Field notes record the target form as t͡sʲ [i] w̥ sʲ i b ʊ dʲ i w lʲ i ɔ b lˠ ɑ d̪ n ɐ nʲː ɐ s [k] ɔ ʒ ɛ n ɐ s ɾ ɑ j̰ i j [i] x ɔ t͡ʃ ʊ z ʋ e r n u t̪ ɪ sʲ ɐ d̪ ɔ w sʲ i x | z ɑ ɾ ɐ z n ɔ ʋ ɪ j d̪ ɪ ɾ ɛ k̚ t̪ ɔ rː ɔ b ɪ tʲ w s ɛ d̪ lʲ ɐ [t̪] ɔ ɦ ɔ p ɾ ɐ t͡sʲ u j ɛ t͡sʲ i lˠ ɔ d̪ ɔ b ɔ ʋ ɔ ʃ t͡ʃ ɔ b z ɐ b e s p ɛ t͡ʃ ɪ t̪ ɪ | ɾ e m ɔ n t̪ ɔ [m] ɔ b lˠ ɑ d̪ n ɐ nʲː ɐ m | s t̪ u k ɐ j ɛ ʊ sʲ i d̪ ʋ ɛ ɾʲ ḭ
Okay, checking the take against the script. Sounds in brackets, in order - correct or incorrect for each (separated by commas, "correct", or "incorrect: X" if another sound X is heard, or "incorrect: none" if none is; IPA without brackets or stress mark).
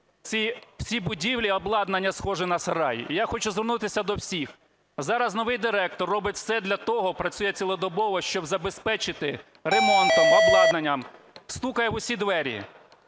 correct, incorrect: x, incorrect: a, correct, correct